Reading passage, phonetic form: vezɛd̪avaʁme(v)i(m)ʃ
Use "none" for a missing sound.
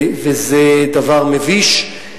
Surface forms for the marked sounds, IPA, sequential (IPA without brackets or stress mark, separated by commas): v, none